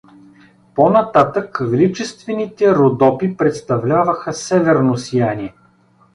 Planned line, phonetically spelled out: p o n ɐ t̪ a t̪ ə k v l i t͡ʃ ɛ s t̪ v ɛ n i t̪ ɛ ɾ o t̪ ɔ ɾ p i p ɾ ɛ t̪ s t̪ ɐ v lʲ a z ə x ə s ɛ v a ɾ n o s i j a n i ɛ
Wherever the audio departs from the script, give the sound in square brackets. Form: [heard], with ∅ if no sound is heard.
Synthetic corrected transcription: p o n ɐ t̪ a t̪ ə k v l i t͡ʃ ɛ s t̪ v ɛ n i t̪ ɛ ɾ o [d̪] ɔ [∅] p i p ɾ ɛ t̪ s t̪ ɐ v lʲ a [v] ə x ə s ɛ v [ɛ] ɾ n o s i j a n i ɛ